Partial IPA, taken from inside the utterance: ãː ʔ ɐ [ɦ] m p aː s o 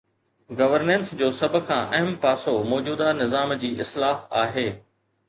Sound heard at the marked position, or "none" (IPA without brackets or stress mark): ɦ